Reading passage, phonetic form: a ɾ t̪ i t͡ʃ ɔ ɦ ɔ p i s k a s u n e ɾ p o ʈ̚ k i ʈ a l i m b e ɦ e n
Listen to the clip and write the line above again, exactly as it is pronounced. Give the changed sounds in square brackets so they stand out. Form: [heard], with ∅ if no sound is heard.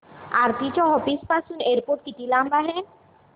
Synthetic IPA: a ɾ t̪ i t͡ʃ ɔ ɦ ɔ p i s [p] a s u n e ɾ p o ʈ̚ k i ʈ [i] l [a] m b [a] ɦ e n